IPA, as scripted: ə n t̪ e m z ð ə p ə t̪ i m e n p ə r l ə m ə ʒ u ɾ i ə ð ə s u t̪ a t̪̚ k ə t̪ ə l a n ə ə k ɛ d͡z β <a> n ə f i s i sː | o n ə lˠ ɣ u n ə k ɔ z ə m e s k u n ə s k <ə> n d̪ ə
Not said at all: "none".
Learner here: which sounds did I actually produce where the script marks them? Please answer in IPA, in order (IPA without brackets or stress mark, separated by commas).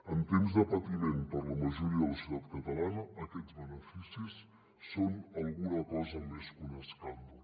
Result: ə, a